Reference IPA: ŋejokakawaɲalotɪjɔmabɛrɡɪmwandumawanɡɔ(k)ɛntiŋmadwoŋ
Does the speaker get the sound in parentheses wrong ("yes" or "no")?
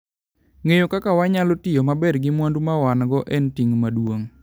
yes